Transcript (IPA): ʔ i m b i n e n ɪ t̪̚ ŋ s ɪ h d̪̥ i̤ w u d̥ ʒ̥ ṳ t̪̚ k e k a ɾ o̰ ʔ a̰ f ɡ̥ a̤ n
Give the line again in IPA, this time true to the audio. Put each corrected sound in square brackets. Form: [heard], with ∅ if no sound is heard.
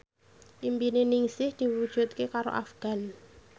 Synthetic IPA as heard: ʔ i m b i n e n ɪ [∅] ŋ s ɪ h d̪̥ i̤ w u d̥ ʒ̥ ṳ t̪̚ k e k a ɾ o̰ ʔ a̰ f ɡ̥ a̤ n